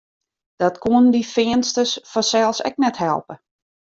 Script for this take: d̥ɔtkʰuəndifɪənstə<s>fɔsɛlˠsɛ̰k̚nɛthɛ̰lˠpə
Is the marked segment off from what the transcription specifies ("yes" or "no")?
no